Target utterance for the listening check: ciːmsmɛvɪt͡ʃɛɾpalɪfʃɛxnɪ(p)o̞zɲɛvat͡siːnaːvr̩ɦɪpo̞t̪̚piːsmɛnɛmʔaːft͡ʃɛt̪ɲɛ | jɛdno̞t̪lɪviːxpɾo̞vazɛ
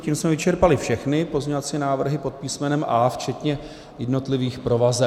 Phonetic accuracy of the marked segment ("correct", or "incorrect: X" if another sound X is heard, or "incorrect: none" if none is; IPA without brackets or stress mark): correct